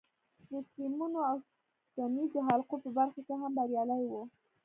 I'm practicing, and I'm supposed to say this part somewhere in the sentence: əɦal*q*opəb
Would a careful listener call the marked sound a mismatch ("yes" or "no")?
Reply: no